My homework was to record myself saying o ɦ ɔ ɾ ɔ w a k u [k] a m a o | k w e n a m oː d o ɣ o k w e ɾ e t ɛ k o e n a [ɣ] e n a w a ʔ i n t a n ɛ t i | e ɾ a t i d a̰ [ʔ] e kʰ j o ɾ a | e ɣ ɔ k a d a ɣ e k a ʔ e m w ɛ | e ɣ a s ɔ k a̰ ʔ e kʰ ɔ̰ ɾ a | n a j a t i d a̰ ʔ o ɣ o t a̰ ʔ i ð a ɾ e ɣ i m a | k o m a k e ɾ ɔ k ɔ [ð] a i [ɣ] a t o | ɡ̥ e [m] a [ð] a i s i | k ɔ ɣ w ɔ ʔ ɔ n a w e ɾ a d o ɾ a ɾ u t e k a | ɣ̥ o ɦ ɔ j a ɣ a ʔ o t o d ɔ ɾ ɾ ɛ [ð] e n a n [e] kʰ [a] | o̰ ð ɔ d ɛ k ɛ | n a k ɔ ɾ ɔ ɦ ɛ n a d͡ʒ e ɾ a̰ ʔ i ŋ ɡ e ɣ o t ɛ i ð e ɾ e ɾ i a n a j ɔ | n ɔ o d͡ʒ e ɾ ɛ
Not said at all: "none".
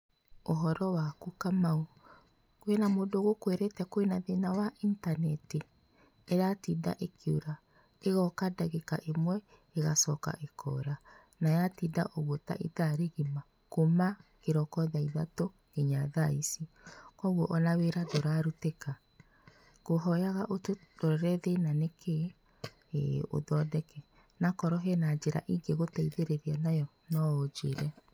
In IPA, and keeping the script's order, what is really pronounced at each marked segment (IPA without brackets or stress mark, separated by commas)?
k, ð, ʔ, ð, ð, ɲ, ð, ð, e, e